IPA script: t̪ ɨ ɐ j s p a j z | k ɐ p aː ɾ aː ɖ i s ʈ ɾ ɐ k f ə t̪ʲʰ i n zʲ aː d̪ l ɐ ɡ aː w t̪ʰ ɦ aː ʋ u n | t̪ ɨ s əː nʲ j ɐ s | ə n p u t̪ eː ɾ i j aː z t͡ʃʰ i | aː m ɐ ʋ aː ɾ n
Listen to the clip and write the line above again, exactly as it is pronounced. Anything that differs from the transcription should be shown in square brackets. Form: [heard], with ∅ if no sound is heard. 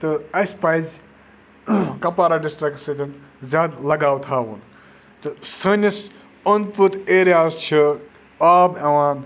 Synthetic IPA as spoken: t̪ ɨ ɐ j s p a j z | k ɐ p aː ɾ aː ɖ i s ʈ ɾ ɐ k [s] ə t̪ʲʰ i n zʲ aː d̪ l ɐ ɡ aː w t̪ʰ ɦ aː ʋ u n | t̪ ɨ s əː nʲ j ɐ s | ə n p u t̪ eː ɾ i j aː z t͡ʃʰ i | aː [b] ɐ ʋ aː [∅] n

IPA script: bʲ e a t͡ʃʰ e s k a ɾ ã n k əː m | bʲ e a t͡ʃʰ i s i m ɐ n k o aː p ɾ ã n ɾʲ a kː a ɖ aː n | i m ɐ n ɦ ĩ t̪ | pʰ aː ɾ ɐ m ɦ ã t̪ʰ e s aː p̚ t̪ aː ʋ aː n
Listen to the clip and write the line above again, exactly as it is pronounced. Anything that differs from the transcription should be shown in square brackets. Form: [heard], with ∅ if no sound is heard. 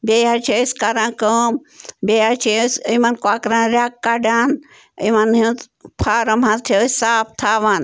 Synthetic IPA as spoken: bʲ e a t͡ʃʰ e s k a ɾ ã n k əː m | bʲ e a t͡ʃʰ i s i m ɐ n k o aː [k] ɾ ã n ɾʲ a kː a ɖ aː n | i m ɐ n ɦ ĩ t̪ | pʰ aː ɾ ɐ m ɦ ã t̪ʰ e s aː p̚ [t̪ʰ] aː ʋ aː n

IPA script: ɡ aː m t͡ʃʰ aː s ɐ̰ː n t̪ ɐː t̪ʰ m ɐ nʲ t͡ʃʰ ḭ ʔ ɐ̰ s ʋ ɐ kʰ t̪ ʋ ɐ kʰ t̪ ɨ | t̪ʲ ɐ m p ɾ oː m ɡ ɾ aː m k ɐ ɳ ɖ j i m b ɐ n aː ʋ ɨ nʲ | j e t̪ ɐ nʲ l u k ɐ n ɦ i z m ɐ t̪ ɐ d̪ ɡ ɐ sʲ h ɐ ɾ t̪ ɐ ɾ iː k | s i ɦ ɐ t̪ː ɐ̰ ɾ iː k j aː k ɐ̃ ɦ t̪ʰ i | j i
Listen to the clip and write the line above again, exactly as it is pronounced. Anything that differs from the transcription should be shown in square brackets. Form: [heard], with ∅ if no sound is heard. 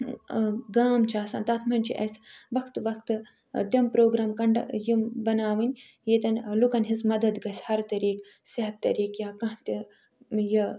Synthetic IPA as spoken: ɡ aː m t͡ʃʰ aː s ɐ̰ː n t̪ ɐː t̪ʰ m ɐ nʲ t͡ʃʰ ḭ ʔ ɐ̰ s ʋ ɐ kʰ t̪ ʋ ɐ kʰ t̪ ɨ | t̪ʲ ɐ m p ɾ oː [∅] ɡ ɾ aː m k ɐ ɳ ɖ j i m b ɐ n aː ʋ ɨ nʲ | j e t̪ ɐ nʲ l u k ɐ n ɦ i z m ɐ [d̪] ɐ d̪ ɡ ɐ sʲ h ɐ ɾ t̪ ɐ ɾ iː k | s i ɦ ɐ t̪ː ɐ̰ ɾ iː k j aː k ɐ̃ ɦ [t̪] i | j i

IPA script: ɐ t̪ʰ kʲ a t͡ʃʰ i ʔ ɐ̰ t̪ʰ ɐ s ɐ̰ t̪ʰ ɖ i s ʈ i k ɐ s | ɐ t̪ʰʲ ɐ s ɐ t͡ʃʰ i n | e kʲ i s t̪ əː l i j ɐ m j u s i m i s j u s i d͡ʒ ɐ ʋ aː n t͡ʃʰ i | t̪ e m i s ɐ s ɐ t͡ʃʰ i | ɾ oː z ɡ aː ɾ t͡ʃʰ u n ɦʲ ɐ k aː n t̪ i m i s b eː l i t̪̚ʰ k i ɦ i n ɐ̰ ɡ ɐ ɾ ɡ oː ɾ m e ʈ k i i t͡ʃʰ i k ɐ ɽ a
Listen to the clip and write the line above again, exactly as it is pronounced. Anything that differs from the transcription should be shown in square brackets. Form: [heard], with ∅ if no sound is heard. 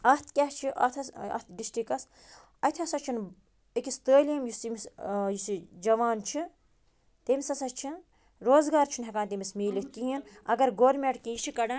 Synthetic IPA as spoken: ɐ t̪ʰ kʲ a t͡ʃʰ i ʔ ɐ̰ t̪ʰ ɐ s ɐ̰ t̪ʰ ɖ i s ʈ i k ɐ s | ɐ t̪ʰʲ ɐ s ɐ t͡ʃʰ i n | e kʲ i s t̪ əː l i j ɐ m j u s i m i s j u s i d͡ʒ ɐ ʋ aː n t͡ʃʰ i | t̪ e m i s ɐ s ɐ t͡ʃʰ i | ɾ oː z ɡ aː ɾ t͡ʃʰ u n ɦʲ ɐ k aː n t̪ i m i s [m] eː l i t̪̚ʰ k i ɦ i n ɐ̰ ɡ ɐ ɾ ɡ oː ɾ m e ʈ k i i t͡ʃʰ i k ɐ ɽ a

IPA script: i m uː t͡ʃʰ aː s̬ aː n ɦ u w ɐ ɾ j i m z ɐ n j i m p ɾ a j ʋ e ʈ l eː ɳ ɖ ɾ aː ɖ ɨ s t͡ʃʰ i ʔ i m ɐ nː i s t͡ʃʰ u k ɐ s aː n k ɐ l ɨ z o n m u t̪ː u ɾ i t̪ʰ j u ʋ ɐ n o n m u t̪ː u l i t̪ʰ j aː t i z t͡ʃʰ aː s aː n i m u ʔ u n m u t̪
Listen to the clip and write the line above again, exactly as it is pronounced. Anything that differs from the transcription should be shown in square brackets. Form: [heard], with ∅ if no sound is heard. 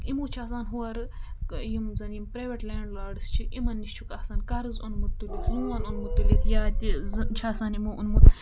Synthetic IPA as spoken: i m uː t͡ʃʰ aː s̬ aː n ɦ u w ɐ ɾ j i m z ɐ n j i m p ɾ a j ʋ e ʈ l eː ɳ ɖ [l] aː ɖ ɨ s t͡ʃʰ i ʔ i m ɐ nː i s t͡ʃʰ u k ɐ s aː n k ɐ [ɾ] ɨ z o n m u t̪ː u [l] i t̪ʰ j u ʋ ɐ n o n m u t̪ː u l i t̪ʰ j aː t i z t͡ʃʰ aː s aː n i m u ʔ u n m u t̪

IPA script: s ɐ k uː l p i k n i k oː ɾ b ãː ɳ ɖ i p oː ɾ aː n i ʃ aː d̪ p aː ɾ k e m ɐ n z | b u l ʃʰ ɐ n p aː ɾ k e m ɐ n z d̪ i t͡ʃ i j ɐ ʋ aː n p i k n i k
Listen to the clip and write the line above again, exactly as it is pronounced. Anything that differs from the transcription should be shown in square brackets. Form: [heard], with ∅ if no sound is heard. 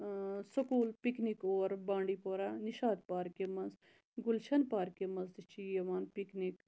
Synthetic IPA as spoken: s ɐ k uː l p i k n i k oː ɾ b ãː ɳ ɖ i p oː ɾ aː n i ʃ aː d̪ p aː ɾ k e m ɐ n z | [ɡ] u l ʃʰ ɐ n p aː ɾ k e m ɐ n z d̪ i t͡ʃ i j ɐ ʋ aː n p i k n i k

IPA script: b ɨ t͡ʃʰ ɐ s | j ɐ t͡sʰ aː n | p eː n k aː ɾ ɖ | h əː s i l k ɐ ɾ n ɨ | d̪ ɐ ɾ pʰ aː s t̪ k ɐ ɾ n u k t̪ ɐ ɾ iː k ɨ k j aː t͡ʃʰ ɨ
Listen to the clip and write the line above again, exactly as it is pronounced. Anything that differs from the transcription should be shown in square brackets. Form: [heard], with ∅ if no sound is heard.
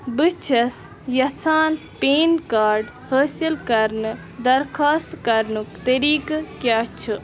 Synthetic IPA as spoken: b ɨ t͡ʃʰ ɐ s | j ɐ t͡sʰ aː n | p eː n k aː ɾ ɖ | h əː s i l k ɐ ɾ n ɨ | d̪ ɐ ɾ [kʰ] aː s t̪ k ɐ ɾ n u k t̪ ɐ ɾ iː k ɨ k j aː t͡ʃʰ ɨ

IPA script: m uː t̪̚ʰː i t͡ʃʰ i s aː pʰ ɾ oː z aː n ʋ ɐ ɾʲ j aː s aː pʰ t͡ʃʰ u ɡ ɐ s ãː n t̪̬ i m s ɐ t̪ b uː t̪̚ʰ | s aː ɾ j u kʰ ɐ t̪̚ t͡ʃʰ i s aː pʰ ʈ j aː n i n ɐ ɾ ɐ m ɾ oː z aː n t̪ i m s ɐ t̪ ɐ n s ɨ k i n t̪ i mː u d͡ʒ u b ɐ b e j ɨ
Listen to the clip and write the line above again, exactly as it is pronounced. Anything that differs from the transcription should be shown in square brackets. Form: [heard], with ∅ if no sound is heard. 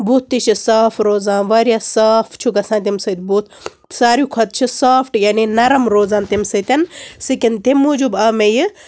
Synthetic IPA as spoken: [b] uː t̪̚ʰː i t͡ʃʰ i s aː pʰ ɾ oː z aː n ʋ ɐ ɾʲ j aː s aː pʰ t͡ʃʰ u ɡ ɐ s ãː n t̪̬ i m s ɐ t̪ b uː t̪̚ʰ | s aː ɾ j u kʰ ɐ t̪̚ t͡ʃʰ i s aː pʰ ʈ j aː n i n ɐ ɾ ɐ m ɾ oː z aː n t̪ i m s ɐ t̪ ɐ n s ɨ k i n t̪ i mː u d͡ʒ u b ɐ [m] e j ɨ

